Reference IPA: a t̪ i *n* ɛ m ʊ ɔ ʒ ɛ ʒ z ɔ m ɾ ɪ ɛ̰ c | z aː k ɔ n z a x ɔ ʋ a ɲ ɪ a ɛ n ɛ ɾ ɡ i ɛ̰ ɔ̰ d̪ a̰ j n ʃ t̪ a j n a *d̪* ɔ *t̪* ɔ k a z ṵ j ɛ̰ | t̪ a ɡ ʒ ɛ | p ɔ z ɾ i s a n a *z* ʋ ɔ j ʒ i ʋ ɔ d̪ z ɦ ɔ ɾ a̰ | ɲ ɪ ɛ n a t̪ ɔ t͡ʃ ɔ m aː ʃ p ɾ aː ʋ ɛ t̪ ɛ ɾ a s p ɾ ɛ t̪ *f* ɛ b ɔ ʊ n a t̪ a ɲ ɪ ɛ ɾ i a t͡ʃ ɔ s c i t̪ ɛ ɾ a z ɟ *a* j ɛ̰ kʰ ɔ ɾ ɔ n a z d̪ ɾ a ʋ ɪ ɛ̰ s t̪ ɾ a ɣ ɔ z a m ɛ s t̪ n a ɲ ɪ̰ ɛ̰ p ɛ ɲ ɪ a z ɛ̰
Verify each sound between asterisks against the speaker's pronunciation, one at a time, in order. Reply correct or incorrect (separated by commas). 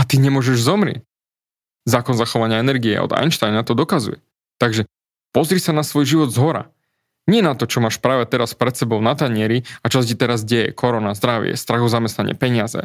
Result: incorrect, incorrect, incorrect, incorrect, incorrect, incorrect